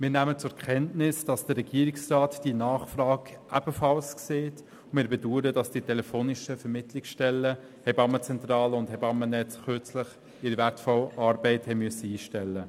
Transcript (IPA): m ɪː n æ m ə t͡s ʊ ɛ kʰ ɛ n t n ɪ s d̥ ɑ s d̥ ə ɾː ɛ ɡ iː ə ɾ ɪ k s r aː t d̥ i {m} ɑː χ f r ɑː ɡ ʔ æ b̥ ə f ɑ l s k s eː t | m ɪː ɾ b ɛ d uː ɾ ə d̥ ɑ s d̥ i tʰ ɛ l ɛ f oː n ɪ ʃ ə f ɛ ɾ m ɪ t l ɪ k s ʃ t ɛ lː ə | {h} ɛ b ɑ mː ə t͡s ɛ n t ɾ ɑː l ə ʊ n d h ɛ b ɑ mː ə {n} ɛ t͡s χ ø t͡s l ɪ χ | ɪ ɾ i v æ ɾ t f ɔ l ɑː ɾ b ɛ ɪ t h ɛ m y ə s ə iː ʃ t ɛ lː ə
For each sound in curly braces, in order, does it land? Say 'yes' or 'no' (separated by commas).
no, yes, yes